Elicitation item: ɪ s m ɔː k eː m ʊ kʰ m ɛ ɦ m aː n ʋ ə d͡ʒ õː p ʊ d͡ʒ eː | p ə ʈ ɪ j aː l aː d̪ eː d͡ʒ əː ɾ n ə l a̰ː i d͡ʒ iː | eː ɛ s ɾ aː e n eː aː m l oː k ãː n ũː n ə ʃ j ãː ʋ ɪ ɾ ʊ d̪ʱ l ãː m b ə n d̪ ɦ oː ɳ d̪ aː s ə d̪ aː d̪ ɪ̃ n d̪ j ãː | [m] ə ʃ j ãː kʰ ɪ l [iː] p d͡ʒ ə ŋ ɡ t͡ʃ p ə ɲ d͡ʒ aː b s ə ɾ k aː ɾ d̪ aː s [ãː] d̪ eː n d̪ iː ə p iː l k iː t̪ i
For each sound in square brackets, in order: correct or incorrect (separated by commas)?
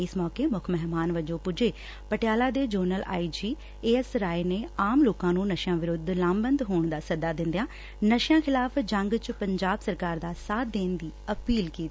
incorrect, incorrect, incorrect